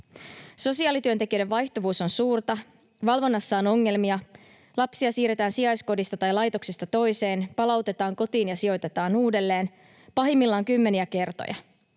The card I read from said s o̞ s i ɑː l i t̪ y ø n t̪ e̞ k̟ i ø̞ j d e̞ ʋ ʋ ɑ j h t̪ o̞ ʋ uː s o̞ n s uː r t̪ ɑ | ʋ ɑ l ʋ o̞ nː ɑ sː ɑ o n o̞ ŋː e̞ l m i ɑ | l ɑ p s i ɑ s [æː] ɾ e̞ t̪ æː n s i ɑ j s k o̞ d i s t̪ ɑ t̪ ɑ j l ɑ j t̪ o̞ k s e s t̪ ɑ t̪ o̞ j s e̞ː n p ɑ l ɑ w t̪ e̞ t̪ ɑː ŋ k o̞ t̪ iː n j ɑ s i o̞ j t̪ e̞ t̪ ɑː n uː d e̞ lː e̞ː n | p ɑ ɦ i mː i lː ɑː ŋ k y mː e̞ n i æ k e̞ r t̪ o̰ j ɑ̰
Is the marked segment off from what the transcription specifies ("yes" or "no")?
yes